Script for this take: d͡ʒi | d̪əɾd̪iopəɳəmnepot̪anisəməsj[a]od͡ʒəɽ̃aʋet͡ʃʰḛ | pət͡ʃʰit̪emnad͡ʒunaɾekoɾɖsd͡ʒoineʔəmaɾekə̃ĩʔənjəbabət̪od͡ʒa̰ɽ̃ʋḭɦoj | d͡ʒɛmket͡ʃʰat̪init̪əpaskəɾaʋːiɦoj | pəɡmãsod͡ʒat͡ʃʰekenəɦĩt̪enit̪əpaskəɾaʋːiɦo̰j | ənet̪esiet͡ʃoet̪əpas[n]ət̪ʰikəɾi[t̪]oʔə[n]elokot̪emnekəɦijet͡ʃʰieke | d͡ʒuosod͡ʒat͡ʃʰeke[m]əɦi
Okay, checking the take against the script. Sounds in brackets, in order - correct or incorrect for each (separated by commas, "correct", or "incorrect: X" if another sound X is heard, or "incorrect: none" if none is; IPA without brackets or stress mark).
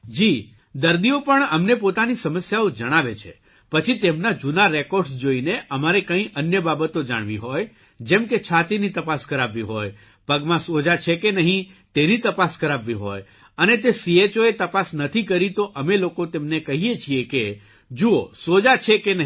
correct, correct, correct, incorrect: m, incorrect: n